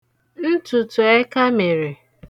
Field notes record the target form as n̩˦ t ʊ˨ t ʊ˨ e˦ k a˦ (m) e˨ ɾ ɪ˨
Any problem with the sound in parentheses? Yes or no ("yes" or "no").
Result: no